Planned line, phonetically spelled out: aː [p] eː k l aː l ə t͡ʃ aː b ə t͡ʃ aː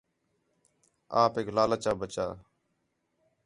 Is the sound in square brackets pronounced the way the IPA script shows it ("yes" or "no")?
yes